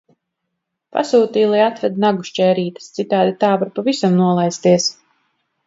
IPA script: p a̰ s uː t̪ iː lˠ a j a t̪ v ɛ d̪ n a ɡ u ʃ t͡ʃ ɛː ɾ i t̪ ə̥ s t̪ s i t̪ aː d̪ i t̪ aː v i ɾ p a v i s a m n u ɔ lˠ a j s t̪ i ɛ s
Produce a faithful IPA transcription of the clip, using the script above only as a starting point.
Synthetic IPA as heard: p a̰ s uː t̪ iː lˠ a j a t̪ v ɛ d̪ n a ɡ u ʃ t͡ʃ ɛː ɾ iː t̪ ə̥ s t̪ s i t̪ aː d̪ i t̪ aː v a ɾ p a v i s a m n u ɔ lˠ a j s t̪ i ɛ s